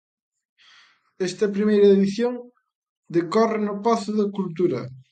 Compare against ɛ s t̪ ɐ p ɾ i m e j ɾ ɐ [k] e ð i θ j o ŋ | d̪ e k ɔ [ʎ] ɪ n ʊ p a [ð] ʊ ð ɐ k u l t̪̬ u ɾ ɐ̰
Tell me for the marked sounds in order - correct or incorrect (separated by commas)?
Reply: incorrect, incorrect, incorrect